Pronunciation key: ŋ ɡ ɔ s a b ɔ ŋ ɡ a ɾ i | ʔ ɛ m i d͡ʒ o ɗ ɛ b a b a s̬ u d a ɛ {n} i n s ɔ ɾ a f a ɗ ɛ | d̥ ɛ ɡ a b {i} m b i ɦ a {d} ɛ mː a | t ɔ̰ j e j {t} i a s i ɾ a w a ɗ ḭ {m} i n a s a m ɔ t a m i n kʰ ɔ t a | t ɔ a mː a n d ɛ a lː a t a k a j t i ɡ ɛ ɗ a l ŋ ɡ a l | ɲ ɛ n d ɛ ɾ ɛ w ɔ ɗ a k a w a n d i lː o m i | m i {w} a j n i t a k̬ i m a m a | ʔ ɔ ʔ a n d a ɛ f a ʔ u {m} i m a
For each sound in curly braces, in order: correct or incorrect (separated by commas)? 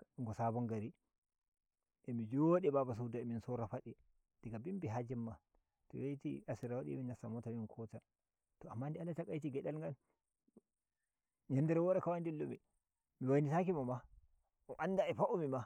incorrect, correct, incorrect, correct, correct, correct, correct